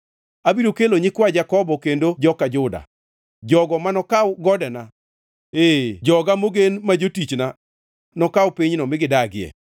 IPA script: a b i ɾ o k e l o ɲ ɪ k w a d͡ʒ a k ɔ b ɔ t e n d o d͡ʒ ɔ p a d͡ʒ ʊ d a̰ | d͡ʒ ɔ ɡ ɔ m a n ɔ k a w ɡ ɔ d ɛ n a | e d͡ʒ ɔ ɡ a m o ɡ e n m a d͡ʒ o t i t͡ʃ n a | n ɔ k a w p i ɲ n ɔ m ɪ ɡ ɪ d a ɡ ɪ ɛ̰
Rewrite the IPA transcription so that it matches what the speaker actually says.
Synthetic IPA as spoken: a b i ɾ o k e l o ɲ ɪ k w a d͡ʒ a k ɔ b ɔ k e n d o d͡ʒ ɔ k a d͡ʒ ʊ d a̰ | d͡ʒ ɔ ɡ ɔ m a n ɔ k a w ɡ ɔ d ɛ n a | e d͡ʒ ɔ ɡ a m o ɡ e n m a d͡ʒ o t i t͡ʃ n a | n ɔ k a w p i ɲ n ɔ m ɪ ɡ ɪ d a ɡ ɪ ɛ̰